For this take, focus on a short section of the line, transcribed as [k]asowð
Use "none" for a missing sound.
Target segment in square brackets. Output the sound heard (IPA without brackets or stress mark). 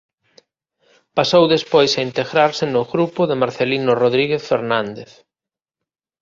p